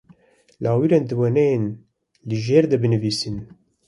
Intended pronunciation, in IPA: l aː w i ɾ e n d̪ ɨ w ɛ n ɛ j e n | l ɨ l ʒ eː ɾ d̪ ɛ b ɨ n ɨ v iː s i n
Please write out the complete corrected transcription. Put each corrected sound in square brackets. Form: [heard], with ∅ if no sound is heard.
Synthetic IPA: l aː w i ɾ e n d̪ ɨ w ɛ n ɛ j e n | l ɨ [∅] ʒ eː ɾ d̪ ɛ b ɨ n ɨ v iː s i n